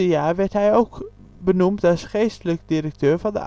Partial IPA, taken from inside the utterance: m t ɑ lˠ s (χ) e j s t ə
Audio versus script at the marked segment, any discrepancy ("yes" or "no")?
no